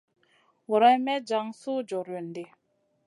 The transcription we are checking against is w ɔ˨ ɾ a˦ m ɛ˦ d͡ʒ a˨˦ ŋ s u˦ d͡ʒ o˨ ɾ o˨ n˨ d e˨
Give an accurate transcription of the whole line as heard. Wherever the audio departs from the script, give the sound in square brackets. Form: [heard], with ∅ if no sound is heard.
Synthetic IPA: w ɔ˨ ɾ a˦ m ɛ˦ d͡ʒ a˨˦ ŋ s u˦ d͡ʒ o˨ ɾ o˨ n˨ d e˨